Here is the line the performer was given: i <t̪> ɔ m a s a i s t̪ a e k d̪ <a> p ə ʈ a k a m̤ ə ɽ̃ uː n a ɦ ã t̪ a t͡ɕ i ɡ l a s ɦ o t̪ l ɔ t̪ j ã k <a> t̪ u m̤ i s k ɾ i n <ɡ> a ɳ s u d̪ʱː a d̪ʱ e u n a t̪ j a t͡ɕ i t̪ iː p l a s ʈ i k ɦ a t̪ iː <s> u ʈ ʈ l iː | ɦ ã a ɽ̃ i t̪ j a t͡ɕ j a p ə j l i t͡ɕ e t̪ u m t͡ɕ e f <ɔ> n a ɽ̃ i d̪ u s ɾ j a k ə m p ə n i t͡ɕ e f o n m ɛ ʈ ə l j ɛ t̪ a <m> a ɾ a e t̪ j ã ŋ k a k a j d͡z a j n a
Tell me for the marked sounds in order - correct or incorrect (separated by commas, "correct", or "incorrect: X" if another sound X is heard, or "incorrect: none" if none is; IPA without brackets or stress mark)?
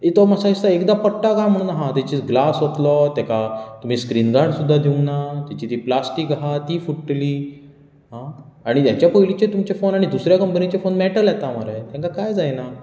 correct, correct, correct, correct, incorrect: f, incorrect: o, correct